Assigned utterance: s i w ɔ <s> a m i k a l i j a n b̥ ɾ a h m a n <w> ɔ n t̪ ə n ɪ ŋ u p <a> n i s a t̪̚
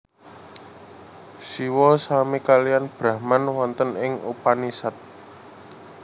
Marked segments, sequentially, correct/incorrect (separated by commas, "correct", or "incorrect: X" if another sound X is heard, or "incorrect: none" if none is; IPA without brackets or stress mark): correct, correct, correct